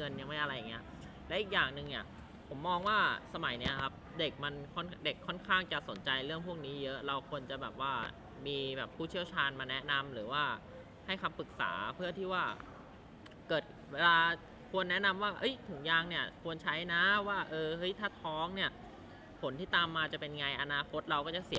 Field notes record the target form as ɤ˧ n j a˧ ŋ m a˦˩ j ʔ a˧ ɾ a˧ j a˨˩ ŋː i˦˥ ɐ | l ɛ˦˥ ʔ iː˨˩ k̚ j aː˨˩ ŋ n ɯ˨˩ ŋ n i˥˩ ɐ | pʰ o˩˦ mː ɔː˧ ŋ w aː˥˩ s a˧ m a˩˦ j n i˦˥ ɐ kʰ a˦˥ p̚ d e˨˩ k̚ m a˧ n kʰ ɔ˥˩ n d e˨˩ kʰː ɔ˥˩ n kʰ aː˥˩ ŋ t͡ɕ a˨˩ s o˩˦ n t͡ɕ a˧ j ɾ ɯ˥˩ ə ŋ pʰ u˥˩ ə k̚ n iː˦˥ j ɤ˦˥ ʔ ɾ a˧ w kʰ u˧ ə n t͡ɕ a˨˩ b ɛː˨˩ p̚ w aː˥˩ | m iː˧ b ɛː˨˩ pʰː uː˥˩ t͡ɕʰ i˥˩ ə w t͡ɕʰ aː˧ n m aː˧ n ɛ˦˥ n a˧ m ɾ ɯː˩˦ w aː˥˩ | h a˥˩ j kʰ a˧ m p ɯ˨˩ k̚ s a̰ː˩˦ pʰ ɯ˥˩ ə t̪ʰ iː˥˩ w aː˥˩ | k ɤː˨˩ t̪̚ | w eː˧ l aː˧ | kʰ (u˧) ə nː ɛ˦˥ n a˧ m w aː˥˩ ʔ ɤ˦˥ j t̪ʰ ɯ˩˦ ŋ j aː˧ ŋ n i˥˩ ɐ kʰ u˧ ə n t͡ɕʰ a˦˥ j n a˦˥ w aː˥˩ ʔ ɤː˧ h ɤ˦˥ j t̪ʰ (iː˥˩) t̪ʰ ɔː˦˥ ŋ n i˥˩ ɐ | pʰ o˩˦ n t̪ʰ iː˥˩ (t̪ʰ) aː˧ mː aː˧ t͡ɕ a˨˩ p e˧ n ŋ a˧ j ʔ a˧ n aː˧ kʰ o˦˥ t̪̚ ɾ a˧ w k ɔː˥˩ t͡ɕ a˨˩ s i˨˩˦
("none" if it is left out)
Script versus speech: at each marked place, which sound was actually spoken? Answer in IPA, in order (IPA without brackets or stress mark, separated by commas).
u˧, aː˥˩, t̪